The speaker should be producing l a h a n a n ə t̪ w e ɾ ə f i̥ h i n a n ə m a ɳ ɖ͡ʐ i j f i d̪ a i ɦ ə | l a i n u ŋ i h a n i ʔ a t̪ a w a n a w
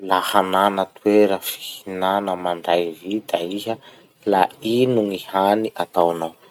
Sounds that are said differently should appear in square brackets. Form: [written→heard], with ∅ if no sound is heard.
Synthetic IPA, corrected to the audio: l a h a n a n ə t̪ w e ɾ ə f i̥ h i n a n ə m a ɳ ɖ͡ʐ [i→a] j [f→v] i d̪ a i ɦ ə | l a i n u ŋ i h a n i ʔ a t̪ a w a n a w

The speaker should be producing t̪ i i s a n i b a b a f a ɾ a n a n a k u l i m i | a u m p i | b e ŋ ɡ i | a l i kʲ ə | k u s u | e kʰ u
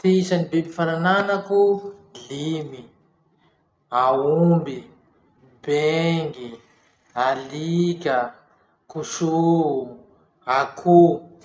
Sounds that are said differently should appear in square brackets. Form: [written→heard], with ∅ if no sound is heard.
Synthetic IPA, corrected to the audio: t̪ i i s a n i b [a→e] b [a→i] f a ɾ a n a n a k u l i m i | a u m [p→b] i | b e ŋ ɡ i | a l i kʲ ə | k u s u | [e→a] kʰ u

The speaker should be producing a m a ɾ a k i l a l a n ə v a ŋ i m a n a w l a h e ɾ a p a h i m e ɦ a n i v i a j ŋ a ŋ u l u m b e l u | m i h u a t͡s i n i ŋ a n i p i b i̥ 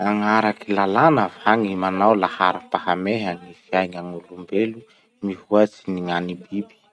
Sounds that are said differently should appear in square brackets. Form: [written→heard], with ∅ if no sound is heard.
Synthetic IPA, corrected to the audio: a [m→ŋ] a ɾ a k i l a l a n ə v a ŋ i m a n a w l a h [e→a] ɾ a p a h [i→a] m e ɦ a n i [v→f] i a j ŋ a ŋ u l u m b e l u | m i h u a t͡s i n i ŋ a n i [p→b] i b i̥

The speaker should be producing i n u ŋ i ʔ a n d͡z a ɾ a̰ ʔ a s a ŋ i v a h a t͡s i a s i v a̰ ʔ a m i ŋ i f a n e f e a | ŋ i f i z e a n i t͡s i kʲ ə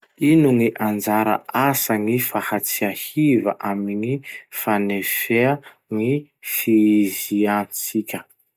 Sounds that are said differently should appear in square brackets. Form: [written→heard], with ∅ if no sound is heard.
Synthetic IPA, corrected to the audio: i n u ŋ i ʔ a n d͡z a ɾ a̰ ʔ a s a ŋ i [v→f] a h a t͡s i a [s→h] i v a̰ ʔ a m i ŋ i f a n e f e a | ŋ i f i z [e→i] a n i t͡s i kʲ ə

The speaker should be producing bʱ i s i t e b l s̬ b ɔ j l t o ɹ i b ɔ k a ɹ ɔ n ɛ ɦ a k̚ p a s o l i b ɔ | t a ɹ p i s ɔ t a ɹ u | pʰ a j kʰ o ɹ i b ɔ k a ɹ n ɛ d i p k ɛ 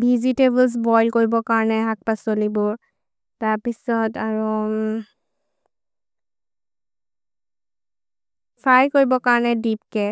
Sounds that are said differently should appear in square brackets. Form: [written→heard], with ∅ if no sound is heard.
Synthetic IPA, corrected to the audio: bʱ i [s→z] i t e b l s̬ b ɔ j l [t→k] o ɹ i b ɔ k a ɹ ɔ n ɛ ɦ a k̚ p a s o l i b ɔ | t a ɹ p i s ɔ t a ɹ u | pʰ a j [kʰ→k] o ɹ i b ɔ k a ɹ n ɛ d i p k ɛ

